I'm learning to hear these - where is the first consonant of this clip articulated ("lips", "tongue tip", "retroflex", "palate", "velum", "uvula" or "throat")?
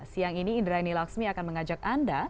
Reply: tongue tip